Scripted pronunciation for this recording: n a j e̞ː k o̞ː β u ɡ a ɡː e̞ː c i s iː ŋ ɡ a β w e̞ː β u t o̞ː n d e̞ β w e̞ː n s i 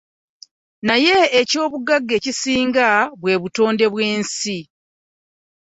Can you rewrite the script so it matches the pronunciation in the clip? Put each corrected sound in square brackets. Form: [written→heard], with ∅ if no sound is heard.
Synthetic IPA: n a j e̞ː [k→c] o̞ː β u ɡ a ɡː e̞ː c i s iː ŋ ɡ a β w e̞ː β u t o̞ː n d e̞ β w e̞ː n s i